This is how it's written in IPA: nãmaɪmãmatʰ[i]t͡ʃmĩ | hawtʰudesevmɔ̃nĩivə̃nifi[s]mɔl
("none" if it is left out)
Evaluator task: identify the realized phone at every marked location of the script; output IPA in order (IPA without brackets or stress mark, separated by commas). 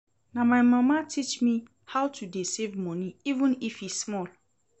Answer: i, s